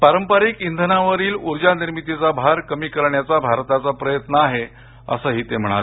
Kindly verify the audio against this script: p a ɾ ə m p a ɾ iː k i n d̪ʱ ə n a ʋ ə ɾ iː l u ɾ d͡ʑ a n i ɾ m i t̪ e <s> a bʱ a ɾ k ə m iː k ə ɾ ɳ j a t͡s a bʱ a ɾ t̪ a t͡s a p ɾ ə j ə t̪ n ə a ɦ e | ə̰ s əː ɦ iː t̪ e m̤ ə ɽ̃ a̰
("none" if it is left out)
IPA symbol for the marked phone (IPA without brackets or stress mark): t͡s